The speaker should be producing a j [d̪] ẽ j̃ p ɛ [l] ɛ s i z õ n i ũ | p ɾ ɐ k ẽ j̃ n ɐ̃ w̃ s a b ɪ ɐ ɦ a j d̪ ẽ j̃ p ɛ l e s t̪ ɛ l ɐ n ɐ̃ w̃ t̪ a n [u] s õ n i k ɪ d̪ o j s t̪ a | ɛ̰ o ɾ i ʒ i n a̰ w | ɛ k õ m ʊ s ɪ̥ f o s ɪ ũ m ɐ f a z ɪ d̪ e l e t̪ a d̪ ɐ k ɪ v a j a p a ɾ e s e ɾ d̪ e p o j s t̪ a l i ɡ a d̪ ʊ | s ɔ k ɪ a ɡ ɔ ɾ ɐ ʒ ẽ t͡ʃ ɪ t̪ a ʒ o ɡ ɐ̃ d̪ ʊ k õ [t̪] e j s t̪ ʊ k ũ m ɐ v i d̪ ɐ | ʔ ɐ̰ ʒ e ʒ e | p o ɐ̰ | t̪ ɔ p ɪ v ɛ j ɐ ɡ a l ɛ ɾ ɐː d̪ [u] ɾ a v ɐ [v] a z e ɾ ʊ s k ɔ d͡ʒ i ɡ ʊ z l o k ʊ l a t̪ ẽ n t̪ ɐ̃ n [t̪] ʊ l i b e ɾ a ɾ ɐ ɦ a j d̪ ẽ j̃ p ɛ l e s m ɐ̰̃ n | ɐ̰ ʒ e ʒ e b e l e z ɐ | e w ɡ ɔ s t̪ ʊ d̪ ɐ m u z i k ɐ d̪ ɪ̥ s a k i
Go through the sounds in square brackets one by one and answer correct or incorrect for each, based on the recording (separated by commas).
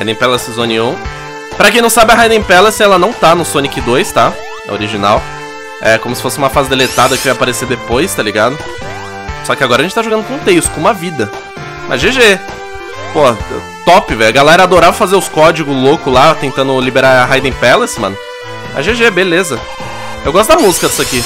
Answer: correct, correct, incorrect, correct, incorrect, incorrect, incorrect